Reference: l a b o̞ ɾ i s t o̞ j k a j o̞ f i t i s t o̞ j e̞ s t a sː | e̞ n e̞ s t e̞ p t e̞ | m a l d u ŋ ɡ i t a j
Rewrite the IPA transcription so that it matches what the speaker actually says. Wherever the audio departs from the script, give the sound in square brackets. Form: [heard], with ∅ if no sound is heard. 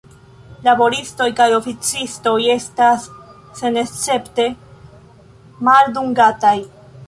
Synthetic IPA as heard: l a b o̞ ɾ i s t o̞ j k a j o̞ f i [t͡s] i s t o̞ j e̞ s t a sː | e̞ n e̞ s [t͡s] e̞ p t e̞ | m a l d u ŋ ɡ [a] t a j